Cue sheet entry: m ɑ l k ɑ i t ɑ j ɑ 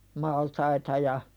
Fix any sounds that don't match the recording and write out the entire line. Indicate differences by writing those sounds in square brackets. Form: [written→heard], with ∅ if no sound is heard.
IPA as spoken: m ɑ l [k→t] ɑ i t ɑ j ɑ